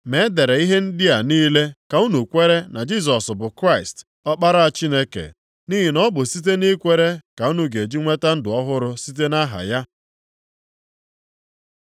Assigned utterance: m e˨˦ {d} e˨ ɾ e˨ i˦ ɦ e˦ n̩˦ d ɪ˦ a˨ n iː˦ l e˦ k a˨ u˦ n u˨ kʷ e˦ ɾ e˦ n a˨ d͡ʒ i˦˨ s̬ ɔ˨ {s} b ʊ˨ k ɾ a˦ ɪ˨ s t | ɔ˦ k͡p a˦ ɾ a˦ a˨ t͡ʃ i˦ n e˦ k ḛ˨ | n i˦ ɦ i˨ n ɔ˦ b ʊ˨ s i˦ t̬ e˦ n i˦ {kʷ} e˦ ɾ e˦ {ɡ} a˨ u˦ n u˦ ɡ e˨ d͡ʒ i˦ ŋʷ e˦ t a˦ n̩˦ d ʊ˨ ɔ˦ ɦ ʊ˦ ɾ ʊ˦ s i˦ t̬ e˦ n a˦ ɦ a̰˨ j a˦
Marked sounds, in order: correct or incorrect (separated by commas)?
correct, correct, correct, incorrect